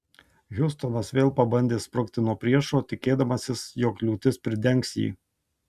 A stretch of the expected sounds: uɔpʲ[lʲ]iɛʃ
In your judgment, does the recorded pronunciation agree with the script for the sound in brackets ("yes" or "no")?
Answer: no